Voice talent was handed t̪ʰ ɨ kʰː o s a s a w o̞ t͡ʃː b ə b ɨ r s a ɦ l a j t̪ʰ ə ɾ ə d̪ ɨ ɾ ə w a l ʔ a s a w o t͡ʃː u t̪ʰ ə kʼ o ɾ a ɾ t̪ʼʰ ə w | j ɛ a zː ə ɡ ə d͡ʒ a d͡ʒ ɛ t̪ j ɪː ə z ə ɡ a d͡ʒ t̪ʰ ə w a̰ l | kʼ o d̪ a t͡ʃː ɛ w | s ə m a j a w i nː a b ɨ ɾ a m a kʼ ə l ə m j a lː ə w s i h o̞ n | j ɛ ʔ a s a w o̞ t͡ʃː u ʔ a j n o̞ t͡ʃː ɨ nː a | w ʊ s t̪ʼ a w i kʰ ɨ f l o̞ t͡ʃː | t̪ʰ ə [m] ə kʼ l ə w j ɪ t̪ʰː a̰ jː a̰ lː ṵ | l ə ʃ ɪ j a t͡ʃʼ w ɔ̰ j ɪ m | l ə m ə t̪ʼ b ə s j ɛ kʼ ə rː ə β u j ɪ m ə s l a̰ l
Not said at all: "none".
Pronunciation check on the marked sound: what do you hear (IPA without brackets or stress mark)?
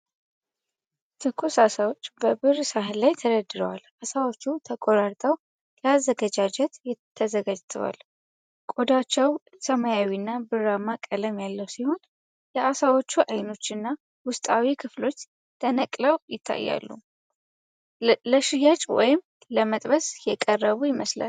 n